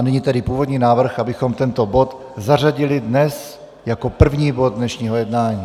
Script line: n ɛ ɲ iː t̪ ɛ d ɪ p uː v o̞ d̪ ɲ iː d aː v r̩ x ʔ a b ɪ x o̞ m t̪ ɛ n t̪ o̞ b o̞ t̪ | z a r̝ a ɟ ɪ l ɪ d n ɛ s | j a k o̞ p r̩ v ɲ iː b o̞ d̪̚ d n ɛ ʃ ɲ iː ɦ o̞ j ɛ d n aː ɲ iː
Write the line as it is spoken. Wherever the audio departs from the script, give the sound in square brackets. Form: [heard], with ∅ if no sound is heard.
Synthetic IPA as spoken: n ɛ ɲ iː t̪ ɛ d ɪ p uː v o̞ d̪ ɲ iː [n] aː v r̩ x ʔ a b ɪ x o̞ m t̪ ɛ n t̪ o̞ b o̞ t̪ | z a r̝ a ɟ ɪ l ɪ d n ɛ s | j a k o̞ p r̩ v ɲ iː b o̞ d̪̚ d n ɛ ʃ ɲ iː ɦ o̞ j ɛ d n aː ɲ iː

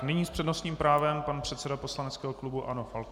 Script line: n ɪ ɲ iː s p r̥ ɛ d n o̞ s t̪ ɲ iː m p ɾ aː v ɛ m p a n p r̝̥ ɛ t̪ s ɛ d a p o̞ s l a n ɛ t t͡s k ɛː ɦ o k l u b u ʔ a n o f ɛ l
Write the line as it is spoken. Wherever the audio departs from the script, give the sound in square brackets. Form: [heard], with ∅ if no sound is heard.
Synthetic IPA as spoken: n ɪ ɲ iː s p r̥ ɛ d n o̞ s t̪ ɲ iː m p ɾ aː v ɛ m p a n p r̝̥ ɛ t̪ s ɛ d a p o̞ s l a n ɛ t t͡s k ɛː ɦ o k l u b u ʔ a n o f [a] l

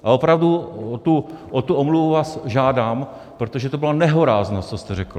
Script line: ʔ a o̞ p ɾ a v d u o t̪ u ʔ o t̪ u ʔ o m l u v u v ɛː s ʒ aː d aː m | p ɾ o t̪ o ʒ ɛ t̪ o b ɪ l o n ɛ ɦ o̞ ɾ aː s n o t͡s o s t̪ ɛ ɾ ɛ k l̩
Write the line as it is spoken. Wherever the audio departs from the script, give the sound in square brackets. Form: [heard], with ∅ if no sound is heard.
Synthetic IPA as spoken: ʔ a o̞ p ɾ a v d u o t̪ u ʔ o t̪ u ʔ o m l u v u v [aː] s ʒ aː d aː m | p ɾ o t̪ o ʒ ɛ t̪ o b ɪ l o n ɛ ɦ o̞ ɾ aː [z] n o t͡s o s t̪ ɛ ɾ ɛ k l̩

